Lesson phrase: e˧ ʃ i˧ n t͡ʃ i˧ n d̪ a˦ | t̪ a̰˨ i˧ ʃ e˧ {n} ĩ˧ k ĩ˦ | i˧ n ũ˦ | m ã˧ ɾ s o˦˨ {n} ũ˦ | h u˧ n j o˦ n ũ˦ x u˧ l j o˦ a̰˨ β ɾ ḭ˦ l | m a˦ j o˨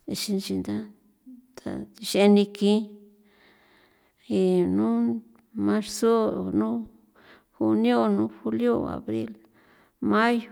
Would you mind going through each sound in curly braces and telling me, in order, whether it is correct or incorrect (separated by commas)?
correct, correct